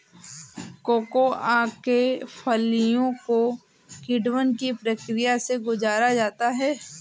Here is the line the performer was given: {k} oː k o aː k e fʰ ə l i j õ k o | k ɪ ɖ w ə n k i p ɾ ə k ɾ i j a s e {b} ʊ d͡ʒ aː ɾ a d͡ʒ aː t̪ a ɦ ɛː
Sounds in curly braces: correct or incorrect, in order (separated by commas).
correct, incorrect